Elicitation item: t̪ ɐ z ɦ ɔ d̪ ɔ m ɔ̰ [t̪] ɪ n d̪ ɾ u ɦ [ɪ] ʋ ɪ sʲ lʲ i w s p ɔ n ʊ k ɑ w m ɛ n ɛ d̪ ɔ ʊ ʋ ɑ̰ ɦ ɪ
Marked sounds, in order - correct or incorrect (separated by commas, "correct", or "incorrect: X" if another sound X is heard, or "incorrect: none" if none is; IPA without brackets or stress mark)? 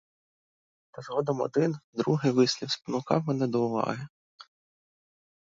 incorrect: d̪, correct